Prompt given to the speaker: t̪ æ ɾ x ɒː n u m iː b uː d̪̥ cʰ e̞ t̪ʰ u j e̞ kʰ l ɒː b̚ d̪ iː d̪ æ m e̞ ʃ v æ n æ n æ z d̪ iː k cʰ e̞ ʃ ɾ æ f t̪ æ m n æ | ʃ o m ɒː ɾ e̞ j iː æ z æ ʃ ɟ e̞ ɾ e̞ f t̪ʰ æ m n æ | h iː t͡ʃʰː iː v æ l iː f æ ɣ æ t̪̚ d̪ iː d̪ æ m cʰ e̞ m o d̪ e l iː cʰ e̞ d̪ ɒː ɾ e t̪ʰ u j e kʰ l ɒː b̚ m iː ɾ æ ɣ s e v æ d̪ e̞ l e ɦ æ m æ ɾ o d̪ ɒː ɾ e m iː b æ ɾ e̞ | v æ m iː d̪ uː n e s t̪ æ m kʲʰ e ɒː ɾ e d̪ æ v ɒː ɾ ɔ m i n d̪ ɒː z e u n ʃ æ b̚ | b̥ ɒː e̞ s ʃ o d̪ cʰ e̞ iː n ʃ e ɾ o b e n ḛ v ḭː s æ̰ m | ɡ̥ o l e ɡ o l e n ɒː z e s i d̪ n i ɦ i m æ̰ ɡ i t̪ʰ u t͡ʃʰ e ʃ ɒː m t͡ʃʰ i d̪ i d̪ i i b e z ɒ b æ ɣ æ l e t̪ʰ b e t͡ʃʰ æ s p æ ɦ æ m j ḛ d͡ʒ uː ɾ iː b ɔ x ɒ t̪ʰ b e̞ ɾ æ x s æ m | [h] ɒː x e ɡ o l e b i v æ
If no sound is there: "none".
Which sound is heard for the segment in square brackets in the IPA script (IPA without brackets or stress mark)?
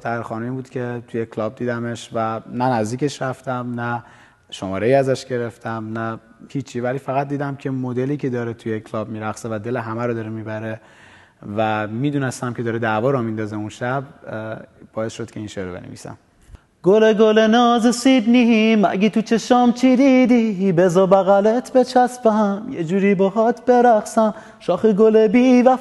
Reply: ʃ